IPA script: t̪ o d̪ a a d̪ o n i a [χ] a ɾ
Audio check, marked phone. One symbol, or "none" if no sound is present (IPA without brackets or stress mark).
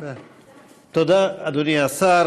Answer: s